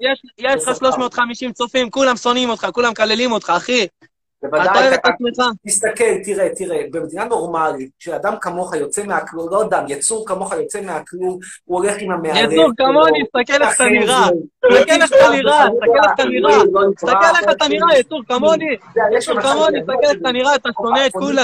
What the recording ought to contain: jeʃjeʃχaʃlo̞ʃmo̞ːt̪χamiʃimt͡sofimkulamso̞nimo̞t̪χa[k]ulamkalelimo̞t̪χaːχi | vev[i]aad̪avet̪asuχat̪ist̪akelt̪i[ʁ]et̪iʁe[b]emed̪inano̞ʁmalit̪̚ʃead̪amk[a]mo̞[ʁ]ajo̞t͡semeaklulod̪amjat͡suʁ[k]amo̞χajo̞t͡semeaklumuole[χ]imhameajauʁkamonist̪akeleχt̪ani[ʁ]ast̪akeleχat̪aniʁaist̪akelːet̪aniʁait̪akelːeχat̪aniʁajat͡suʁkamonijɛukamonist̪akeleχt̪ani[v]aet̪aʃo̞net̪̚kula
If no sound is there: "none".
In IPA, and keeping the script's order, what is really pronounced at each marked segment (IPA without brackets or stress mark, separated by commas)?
k, a, ʁ, b, a, χ, k, χ, ʁ, ʁ